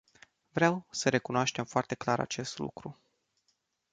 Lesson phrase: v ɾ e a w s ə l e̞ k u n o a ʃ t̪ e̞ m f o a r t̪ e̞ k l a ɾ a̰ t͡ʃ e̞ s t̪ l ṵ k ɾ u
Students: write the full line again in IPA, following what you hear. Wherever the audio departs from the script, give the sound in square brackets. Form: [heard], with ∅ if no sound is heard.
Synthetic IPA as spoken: v ɾ e a w s ə [ɾ] e̞ k u n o a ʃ t̪ e̞ m f o a r t̪ e̞ k l a ɾ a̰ t͡ʃ e̞ s t̪ l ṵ k ɾ u

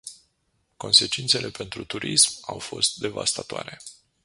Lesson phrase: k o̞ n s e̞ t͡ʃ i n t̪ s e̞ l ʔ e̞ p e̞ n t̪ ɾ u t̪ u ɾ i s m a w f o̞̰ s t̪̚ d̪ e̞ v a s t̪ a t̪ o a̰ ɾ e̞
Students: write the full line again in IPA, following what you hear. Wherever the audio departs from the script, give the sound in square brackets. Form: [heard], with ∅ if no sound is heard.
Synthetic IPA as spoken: k o̞ n s e̞ t͡ʃ i n t̪ s e̞ l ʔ e̞ p e̞ n t̪ ɾ u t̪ u ɾ i s m a w f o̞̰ s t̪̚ d̪ e̞ v a s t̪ a t̪ o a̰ ɾ e̞

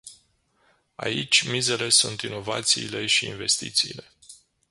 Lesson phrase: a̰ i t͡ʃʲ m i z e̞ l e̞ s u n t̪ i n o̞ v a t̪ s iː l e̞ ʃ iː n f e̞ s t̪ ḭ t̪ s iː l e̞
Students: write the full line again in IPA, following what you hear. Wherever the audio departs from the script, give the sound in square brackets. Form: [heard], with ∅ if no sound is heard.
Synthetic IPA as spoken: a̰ i t͡ʃʲ m i z e̞ l e̞ s u n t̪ i n o̞ v a t̪ s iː l e̞ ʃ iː n [v] e̞ s t̪ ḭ t̪ s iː l e̞

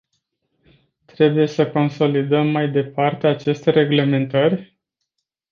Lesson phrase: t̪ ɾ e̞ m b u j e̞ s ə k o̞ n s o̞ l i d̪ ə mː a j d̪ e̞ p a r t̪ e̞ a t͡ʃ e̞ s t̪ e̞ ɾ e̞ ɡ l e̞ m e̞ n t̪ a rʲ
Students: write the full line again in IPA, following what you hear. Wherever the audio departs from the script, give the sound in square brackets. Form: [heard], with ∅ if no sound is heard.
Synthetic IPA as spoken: t̪ ɾ e̞ [∅] b u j e̞ s ə k o̞ n s o̞ l i d̪ ə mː a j d̪ e̞ p a r t̪ e̞ a t͡ʃ e̞ s t̪ e̞ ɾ e̞ ɡ l e̞ m e̞ n t̪ [ə] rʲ

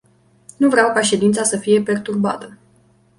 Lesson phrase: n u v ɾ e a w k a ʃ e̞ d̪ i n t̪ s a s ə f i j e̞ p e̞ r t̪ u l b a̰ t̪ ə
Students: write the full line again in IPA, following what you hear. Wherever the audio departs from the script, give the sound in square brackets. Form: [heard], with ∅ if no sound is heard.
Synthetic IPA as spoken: n u v ɾ e a w k a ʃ e̞ d̪ i n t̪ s a s ə f i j e̞ p e̞ r t̪ u [r] b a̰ t̪ ə

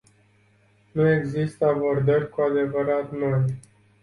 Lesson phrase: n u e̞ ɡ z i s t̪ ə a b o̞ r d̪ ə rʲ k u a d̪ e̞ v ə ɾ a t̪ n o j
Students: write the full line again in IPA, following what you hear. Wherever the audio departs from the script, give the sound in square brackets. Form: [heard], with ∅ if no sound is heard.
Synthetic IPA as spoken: n u e̞ ɡ z i s t̪ ə a b o̞ r d̪ ə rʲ k u a d̪ e̞ v ə ɾ a t̪ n o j

